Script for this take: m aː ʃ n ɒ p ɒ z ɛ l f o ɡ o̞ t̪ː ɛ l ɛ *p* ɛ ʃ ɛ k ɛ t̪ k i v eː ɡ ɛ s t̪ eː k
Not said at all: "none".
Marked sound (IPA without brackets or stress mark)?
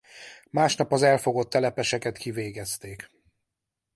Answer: p